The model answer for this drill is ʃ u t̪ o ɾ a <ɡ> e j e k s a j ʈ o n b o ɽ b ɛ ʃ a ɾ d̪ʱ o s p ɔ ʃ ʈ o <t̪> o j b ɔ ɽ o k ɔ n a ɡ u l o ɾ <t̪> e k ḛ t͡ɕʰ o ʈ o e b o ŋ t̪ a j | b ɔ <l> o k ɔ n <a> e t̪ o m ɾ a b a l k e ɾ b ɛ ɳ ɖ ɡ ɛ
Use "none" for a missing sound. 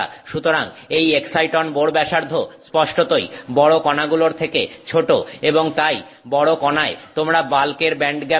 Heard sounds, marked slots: ŋ, t̪, t̪ʰ, ɽ, a

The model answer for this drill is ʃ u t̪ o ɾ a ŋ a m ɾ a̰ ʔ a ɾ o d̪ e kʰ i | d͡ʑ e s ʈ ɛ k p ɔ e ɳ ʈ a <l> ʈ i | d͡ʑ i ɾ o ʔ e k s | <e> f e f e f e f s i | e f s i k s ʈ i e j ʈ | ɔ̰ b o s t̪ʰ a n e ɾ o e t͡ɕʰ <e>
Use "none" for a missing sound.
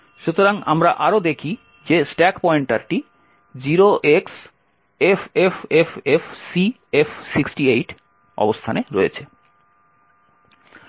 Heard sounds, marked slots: ɾ, e, e

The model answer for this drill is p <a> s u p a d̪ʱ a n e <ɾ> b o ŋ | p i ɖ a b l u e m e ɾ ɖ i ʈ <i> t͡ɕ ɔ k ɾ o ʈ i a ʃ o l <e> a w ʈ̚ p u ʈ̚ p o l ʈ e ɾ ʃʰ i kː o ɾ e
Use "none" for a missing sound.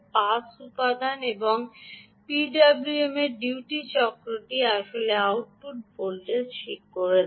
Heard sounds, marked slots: a, none, i, e

